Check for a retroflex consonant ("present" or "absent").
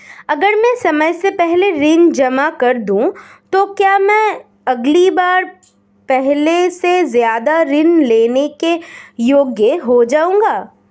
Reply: absent